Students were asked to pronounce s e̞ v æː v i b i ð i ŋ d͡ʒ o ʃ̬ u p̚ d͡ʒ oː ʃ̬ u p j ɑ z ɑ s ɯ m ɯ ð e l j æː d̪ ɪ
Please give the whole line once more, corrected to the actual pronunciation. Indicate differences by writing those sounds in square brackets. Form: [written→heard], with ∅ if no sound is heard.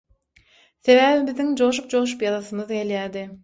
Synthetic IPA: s e̞ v æː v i b i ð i ŋ d͡ʒ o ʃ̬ u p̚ d͡ʒ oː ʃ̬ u p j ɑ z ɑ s ɯ m ɯ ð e l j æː d̪ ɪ